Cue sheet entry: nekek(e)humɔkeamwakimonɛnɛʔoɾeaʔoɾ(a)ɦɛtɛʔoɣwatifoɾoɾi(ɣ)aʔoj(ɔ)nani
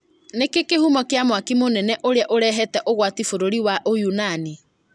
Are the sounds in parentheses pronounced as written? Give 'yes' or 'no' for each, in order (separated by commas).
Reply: yes, no, no, no